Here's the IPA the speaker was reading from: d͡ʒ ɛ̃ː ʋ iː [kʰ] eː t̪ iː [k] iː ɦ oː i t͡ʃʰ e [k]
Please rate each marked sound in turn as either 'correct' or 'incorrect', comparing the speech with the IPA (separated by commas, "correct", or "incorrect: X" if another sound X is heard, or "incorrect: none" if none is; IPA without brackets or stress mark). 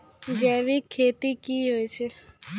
correct, correct, incorrect: none